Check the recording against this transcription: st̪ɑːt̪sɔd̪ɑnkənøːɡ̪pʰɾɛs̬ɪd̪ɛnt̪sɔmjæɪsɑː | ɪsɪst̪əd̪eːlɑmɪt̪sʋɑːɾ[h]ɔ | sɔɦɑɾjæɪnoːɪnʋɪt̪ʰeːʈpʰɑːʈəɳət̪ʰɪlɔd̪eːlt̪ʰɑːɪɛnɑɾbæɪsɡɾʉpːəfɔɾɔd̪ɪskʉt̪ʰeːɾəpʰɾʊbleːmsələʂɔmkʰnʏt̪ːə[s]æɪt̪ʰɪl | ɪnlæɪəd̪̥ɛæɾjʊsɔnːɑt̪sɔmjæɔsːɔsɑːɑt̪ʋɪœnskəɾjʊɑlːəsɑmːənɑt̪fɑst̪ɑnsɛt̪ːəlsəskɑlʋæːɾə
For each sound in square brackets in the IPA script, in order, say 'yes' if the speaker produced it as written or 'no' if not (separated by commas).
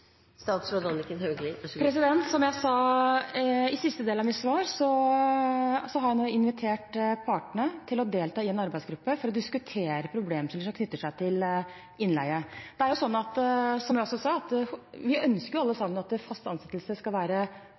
no, no